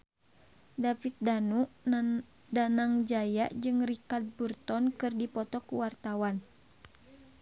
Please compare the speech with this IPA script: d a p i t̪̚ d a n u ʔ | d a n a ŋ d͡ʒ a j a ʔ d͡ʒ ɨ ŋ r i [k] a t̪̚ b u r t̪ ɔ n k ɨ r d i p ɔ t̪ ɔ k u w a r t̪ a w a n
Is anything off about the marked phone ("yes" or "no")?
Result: no